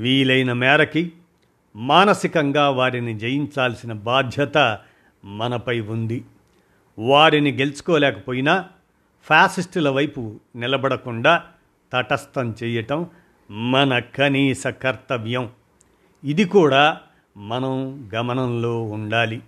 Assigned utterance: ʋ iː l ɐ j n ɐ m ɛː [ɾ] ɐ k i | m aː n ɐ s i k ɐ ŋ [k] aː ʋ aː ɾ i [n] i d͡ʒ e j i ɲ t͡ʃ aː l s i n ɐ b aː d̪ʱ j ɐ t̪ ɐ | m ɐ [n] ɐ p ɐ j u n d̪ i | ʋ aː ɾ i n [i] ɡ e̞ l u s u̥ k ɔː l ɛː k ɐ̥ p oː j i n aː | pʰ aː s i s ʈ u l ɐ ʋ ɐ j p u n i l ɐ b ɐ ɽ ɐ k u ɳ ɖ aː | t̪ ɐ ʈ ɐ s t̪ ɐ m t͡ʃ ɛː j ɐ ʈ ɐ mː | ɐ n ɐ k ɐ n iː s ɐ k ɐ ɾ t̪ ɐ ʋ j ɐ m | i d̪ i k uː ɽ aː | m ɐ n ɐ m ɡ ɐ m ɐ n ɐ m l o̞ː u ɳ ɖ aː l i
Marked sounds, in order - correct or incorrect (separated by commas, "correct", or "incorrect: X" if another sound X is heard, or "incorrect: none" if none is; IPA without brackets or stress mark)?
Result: correct, incorrect: ɡ, correct, correct, correct